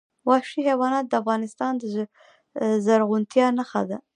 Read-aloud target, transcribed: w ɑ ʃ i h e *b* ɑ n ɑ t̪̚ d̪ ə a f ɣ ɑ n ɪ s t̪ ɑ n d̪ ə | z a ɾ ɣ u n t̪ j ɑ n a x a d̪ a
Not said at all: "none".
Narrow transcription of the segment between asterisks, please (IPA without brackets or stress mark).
w